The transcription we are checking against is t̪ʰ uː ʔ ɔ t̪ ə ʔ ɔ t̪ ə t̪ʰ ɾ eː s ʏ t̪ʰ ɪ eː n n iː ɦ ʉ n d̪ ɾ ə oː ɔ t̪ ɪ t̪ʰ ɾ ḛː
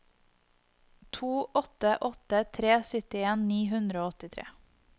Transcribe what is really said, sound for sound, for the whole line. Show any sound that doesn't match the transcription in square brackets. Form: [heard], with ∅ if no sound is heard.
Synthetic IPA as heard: t̪ʰ uː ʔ ɔ t̪ ə ʔ ɔ t̪ ə t̪ʰ ɾ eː s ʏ [t̪] ɪ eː n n iː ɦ ʉ n d̪ ɾ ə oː ɔ t̪ ɪ t̪ʰ ɾ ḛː